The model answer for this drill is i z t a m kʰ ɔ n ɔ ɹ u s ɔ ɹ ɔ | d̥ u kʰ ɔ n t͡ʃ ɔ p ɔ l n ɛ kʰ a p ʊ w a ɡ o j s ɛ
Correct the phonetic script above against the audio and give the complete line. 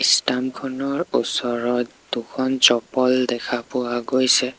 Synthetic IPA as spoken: i s t a m kʰ ɔ n ɔ ɹ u s ɔ ɹ ɔ | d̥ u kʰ ɔ n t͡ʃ ɔ p ɔ l d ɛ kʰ a p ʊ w a ɡ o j s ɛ